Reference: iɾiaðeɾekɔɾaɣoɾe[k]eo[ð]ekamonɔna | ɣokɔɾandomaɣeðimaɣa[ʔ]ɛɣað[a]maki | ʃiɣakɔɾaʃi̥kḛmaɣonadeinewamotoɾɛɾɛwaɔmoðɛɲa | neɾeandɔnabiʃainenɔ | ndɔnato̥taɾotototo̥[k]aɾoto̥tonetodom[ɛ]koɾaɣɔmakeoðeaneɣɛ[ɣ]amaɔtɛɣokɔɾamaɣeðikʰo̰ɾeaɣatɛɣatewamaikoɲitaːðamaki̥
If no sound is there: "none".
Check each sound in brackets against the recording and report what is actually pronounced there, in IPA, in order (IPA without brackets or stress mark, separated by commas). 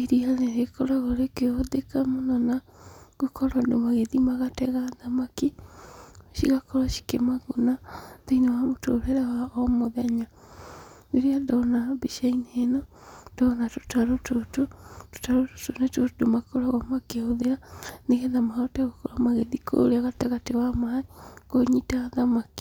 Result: k, ð, t, a, t, a, ð